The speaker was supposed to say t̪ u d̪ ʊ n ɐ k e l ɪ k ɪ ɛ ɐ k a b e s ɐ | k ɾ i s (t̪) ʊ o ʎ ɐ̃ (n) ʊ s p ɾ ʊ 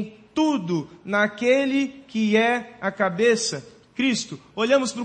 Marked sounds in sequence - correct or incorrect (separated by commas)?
correct, incorrect